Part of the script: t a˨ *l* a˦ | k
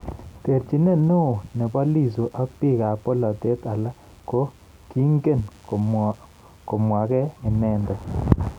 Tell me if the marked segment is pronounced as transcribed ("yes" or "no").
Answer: yes